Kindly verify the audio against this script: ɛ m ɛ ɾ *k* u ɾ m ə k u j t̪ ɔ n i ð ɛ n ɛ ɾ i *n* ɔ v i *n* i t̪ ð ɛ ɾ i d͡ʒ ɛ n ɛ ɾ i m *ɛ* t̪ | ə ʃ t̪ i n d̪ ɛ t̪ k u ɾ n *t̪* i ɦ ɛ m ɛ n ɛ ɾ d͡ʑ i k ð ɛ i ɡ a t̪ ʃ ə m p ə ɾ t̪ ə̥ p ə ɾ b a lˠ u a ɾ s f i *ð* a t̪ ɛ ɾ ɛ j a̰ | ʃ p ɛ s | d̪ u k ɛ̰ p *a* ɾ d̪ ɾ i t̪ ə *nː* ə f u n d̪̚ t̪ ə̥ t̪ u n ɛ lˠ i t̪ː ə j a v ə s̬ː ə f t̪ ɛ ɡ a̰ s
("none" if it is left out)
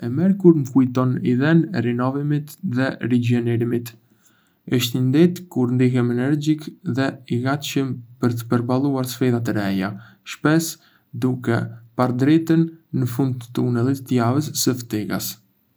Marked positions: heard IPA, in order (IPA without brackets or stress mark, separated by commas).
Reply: k, n, m, i, d̪, ð, a, nː